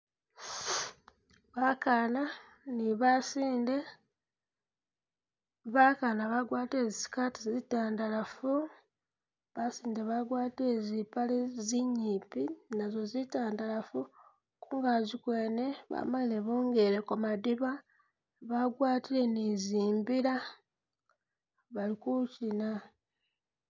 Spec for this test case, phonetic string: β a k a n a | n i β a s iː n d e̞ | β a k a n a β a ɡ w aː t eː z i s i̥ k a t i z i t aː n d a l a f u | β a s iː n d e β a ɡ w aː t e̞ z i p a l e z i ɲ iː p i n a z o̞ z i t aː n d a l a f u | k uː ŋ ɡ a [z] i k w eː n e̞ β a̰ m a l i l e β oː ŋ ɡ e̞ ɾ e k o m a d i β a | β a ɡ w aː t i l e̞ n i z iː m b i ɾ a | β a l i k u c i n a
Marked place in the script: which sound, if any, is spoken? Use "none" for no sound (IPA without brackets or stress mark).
z